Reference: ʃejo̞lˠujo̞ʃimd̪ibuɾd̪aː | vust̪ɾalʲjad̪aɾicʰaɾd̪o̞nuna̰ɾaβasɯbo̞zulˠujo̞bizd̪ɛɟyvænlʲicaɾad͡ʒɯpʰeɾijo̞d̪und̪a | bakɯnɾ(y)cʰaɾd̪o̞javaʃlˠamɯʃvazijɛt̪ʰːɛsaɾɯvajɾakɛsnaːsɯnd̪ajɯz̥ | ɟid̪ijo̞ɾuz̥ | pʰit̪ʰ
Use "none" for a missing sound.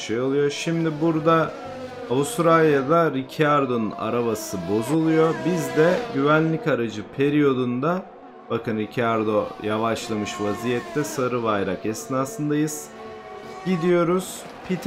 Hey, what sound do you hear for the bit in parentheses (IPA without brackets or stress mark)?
i